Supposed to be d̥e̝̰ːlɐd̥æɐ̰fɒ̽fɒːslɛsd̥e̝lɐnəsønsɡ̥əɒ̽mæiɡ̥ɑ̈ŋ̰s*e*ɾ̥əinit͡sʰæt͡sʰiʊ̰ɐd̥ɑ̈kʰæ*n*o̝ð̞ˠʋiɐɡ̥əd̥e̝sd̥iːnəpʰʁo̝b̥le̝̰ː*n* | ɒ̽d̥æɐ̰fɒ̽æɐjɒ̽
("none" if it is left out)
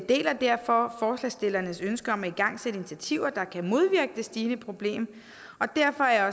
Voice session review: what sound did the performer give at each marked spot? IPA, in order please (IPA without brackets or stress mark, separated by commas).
e, m, m